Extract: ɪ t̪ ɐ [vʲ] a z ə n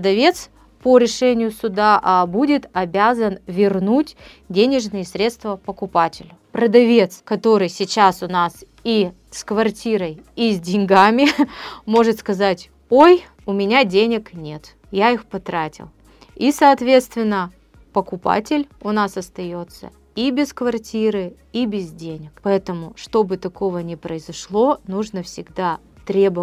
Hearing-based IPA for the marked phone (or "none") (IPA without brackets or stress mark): bʲ